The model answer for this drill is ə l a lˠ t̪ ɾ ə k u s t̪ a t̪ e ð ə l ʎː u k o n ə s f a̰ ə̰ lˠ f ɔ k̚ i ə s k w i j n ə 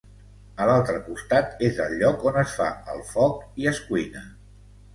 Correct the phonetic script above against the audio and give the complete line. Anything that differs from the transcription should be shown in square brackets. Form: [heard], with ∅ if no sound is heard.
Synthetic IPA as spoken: ə l a lˠ t̪ ɾ ə k u s t̪ a t̪ e [z] ə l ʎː [ɔ] k o n ə s f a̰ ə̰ lˠ f ɔ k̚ i ə s k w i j n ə